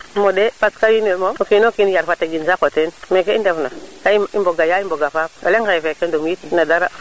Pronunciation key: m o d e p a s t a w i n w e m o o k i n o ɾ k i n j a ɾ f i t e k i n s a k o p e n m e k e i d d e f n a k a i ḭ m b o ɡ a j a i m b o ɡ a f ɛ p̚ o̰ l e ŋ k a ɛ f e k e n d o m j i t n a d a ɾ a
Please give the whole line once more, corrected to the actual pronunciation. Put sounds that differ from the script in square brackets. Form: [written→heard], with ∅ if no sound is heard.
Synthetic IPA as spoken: m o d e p a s [t→k] a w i n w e m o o k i n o [ɾ→∅] k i n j a ɾ f [i→a] t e [k→ɡ] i n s a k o [p→t] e n m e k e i [d→n] d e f n a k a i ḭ m b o ɡ a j a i m b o ɡ a f [ɛ→a] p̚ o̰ l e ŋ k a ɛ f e k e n d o m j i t n a d a ɾ a